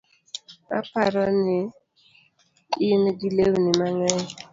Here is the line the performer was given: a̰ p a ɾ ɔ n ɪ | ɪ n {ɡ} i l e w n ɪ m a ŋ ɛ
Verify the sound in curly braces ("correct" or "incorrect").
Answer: correct